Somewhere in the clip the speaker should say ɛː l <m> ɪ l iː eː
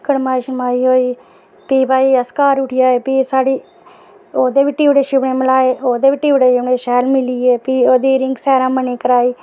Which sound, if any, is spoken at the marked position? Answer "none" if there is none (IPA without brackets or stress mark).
m